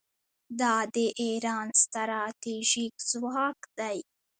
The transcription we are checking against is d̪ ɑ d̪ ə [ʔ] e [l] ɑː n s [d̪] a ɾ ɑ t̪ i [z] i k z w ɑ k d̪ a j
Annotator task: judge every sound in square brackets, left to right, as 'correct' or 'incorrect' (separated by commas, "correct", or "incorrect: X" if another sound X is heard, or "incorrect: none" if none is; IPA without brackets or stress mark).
correct, incorrect: ɾ, incorrect: t̪, incorrect: ʒ